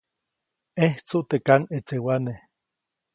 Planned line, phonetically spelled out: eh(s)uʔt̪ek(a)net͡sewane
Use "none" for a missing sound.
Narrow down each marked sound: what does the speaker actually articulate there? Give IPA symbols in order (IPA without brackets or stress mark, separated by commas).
t͡s, a